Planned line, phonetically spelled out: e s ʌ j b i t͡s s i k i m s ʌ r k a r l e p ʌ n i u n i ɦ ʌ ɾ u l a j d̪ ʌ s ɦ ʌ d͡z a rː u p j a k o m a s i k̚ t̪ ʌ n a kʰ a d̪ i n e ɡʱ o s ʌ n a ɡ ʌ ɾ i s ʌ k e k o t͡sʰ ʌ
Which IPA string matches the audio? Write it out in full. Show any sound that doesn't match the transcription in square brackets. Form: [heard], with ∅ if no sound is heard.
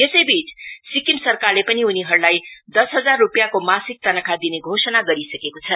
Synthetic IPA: e s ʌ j b i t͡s s i k i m s ʌ r k a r l e p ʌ n i u n i ɦ ʌ ɾ u l a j d̪ ʌ s ɦ ʌ d͡z a rː u p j a k o m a s i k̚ t̪ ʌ n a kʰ a d̪ i n e ɡʱ o s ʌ n a ɡ ʌ ɾ i s ʌ k e k o t͡sʰ ʌ